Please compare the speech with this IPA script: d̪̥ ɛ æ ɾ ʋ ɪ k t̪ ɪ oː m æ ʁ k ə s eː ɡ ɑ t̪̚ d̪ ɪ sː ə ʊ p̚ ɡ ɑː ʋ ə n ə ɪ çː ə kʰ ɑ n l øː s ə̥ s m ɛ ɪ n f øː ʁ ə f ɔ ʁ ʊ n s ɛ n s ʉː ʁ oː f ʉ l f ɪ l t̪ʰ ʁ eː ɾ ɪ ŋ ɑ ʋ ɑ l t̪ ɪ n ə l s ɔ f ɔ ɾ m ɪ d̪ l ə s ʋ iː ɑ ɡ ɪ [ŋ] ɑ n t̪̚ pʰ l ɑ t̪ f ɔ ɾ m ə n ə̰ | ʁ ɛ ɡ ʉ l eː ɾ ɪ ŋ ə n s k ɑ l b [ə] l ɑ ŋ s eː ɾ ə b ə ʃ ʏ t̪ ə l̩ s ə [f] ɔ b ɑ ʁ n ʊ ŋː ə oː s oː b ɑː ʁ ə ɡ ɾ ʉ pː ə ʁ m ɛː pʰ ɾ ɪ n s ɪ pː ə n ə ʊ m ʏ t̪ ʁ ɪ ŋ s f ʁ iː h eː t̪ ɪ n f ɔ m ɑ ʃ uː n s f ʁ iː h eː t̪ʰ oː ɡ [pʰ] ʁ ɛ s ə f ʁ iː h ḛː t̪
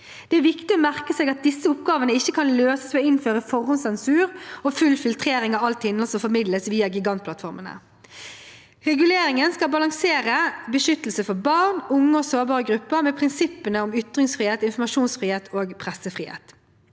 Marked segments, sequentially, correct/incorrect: incorrect: ɡ, incorrect: ɑ, correct, correct

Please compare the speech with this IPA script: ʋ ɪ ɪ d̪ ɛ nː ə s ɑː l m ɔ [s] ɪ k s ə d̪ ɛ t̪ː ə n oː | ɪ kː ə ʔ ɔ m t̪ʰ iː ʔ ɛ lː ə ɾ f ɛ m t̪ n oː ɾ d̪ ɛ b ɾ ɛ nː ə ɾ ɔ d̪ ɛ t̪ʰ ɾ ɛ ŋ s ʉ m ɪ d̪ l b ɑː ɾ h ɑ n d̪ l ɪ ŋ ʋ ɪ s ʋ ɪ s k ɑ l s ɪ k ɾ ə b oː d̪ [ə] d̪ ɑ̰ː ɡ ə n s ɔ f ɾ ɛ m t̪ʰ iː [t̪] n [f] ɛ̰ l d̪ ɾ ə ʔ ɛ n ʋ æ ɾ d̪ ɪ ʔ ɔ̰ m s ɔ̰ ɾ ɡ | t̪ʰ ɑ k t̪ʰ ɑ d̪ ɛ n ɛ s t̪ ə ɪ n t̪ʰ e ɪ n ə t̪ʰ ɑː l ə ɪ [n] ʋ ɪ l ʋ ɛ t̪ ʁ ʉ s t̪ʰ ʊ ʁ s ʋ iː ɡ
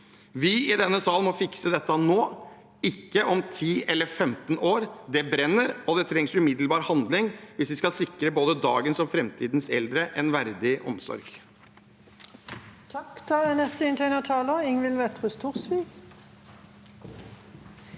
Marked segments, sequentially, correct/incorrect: incorrect: f, correct, incorrect: d̪, incorrect: s, incorrect: ŋ

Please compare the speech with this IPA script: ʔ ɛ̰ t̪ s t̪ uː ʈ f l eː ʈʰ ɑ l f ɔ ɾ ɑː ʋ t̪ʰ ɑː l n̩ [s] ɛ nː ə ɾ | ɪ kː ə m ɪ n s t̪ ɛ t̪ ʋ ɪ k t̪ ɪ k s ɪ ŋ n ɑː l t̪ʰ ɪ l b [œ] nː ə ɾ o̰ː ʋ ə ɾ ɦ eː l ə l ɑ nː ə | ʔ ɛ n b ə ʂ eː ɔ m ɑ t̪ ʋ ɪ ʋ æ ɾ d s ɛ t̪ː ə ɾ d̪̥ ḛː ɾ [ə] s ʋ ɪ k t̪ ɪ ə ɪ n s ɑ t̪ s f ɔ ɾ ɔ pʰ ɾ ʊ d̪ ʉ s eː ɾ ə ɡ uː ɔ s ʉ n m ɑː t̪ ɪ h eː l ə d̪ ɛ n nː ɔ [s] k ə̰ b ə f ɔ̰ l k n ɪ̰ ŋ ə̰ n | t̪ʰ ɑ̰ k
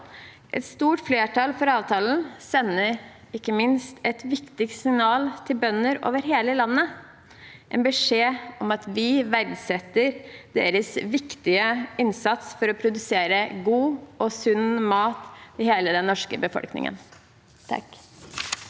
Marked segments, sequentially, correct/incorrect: correct, correct, correct, incorrect: ʂ

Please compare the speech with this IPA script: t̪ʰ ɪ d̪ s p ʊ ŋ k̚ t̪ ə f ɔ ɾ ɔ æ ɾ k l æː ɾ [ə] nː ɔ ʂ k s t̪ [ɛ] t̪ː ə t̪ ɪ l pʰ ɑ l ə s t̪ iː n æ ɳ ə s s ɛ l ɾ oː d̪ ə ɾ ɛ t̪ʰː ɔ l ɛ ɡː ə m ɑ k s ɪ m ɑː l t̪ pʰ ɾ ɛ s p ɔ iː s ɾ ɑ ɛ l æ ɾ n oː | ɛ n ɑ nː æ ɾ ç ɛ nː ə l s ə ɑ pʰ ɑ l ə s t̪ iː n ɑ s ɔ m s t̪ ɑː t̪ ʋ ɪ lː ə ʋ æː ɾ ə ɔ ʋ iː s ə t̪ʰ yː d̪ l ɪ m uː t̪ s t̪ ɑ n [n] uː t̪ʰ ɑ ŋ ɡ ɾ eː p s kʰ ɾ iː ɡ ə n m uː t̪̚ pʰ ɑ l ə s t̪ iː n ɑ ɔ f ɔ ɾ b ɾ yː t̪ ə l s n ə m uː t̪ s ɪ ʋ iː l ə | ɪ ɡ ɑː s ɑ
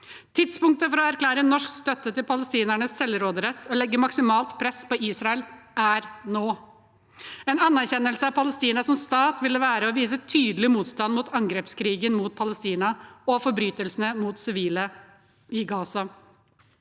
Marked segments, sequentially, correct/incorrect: correct, incorrect: œ, incorrect: m

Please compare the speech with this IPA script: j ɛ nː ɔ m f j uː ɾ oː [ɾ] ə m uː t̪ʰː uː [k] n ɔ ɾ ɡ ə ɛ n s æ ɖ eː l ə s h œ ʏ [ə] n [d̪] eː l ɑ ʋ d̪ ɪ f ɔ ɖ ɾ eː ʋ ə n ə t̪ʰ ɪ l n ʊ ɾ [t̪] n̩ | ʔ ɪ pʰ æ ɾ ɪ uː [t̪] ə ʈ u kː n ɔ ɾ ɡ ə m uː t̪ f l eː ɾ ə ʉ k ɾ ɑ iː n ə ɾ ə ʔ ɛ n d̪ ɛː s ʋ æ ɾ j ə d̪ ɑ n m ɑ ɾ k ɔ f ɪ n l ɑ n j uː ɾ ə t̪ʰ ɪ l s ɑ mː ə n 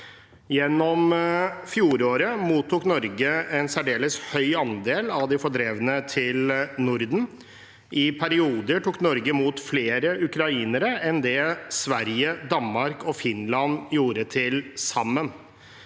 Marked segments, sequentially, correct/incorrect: correct, correct, incorrect: ɑ, correct, incorrect: d̪, incorrect: d̪

